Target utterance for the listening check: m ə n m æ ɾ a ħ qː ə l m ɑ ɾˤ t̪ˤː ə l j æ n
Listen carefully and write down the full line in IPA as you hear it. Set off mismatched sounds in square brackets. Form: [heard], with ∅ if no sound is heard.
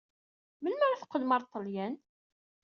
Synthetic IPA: m ə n m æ ɾ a [θ] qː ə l m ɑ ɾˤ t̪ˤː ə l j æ n